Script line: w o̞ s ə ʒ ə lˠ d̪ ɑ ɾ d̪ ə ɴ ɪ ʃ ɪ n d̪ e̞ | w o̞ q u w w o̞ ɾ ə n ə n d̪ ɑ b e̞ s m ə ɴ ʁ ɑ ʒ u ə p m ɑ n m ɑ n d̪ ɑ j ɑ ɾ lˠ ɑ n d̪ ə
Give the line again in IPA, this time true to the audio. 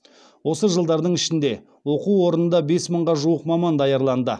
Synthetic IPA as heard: w o̞ s ə ʒ ə lˠ d̪ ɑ ɾ d̪ ə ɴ ɪ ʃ ɪ n d̪ e̞ | w o̞ q u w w o̞ ɾ ə n ə n d̪ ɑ b e̞ s m ə ɴ ʁ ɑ ʒ u ə q m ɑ m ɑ n d̪ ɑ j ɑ ɾ lˠ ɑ n d̪ ə

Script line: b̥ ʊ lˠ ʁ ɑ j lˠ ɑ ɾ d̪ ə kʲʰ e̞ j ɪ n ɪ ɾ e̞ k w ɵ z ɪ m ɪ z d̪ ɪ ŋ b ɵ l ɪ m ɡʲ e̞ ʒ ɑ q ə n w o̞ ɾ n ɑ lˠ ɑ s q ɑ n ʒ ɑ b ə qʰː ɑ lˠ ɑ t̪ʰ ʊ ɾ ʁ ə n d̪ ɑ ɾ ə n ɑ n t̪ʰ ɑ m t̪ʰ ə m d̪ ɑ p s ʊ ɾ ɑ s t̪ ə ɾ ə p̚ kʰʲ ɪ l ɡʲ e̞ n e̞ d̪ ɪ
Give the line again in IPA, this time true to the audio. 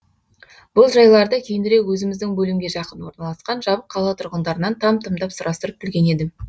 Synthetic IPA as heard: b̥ ʊ lˠ ʒ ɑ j lˠ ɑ ɾ d̪ ə kʲʰ e̞ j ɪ n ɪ ɾ e̞ k w ɵ z ɪ m ɪ z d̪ ɪ ŋ b ɵ l ɪ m ɡʲ e̞ ʒ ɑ q ə n w o̞ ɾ n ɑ lˠ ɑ s q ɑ n ʒ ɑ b ə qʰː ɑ lˠ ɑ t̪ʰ ʊ ɾ ʁ ə n d̪ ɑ ɾ ə n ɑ n t̪ʰ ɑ m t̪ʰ ə m d̪ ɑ p s ʊ ɾ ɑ s t̪ ə ɾ ə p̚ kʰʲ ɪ l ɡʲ e̞ n e̞ d̪ ɪ

